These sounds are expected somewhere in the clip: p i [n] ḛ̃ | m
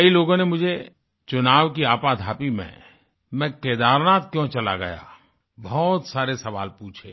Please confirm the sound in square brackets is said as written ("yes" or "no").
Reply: no